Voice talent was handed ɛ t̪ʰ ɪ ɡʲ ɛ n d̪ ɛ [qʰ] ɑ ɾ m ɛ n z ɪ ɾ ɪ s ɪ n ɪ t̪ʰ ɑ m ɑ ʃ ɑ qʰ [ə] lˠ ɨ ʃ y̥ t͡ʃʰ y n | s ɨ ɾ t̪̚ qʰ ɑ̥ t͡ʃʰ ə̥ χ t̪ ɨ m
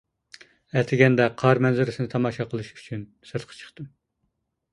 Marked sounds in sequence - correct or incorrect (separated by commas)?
correct, correct